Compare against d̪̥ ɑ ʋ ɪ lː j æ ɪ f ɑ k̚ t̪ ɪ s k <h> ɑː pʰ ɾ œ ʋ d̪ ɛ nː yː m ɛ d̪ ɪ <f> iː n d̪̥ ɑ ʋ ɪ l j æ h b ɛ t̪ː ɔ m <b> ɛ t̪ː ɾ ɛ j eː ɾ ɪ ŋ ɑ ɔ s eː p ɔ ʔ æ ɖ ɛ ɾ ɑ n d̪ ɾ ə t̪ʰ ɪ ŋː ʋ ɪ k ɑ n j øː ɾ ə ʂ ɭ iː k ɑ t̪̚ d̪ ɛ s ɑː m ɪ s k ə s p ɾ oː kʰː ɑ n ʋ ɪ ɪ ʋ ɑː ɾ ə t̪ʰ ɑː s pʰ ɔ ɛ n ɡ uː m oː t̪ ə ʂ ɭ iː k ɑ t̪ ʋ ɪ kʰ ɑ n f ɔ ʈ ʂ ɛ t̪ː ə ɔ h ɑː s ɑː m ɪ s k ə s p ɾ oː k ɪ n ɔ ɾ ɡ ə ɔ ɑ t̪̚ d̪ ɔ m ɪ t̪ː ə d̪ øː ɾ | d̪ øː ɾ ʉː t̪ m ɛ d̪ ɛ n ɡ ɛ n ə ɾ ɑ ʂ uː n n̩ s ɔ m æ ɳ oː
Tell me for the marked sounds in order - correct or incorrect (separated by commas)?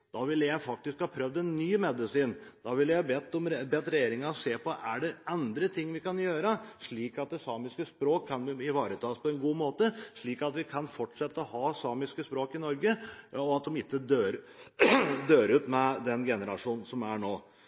correct, incorrect, correct